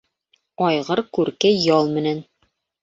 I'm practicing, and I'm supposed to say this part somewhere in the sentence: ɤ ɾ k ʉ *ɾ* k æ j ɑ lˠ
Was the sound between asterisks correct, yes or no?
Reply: yes